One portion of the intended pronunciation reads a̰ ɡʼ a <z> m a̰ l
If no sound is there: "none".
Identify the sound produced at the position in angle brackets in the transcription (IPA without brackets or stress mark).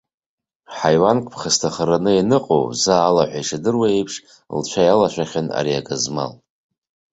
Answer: z